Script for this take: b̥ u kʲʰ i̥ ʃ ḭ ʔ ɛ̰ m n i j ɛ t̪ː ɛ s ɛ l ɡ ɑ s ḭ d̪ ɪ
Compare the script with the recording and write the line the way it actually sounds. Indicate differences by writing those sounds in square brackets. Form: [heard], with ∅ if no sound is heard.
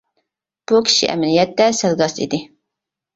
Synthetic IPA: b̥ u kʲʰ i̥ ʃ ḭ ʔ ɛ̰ m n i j ɛ t̪ː ɛ s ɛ l ɡ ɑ s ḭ d̪ ɪ